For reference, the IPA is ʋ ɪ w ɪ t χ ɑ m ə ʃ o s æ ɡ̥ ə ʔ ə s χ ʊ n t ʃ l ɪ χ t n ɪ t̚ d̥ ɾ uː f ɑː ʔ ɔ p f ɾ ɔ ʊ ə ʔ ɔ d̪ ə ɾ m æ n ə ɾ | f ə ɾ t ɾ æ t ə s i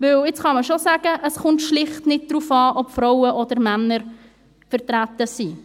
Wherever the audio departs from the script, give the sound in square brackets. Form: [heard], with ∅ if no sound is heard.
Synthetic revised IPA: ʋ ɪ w ɪ [t͡s] χ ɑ m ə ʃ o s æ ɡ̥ ə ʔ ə s χ ʊ n t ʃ l ɪ χ t n ɪ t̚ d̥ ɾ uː f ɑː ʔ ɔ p f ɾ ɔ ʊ ə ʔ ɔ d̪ ə ɾ m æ n ə ɾ | f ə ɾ t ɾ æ t ə s i

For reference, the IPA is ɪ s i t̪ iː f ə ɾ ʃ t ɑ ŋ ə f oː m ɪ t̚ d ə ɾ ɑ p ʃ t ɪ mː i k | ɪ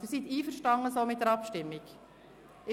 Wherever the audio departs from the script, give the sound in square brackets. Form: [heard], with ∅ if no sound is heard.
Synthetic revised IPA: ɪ s i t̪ iː f ə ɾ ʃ t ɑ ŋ ə [s] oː m ɪ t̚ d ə ɾ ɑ p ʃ t ɪ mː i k | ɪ

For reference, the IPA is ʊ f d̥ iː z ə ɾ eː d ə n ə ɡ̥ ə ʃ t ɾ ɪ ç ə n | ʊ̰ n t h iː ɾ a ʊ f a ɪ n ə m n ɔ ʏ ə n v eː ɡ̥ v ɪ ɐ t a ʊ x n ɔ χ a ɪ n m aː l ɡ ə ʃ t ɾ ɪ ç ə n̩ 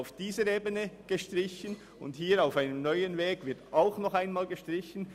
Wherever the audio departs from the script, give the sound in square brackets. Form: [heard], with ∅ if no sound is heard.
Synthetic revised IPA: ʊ f d̥ iː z ə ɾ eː [b] ə n ə ɡ̥ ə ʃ t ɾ ɪ ç ə n | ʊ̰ n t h iː ɾ a ʊ f a ɪ n ə m n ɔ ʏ ə n v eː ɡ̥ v ɪ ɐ t a ʊ x n ɔ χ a ɪ n m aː l ɡ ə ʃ t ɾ ɪ ç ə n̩

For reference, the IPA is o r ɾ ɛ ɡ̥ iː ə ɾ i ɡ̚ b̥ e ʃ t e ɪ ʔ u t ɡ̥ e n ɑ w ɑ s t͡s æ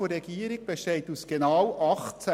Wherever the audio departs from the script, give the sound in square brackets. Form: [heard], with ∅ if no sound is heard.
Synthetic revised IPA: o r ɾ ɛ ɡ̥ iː ə ɾ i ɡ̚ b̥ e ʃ t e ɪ [t] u [s] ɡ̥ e n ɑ w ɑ [χ] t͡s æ

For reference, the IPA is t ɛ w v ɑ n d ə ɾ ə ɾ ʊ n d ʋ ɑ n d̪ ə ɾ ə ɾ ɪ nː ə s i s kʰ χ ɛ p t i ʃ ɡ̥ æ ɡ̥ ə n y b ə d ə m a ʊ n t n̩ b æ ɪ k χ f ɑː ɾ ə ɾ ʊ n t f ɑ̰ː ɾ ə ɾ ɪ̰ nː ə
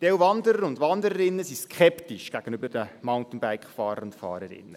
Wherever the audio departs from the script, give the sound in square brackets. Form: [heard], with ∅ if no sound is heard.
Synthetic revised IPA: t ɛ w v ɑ n d ə ɾ ə ɾ ʊ n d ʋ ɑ n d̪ ə ɾ ə ɾ ɪ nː ə s i s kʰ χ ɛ p t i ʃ ɡ̥ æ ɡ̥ ə n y b ə d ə m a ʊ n t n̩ b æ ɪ k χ f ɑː ɾ ə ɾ ʊ n t f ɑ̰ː ɾ ə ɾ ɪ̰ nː ə

